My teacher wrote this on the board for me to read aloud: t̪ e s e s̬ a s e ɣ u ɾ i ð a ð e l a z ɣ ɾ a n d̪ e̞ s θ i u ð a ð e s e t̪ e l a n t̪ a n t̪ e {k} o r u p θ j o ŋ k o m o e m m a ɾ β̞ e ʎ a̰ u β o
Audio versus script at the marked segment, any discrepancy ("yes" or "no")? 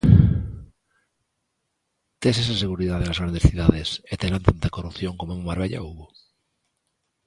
no